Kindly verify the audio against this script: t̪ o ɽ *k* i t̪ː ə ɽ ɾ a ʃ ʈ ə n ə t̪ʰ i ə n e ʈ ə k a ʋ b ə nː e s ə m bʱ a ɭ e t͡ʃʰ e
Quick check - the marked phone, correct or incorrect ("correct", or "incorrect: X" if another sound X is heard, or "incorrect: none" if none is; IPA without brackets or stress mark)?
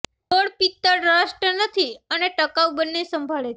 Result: incorrect: p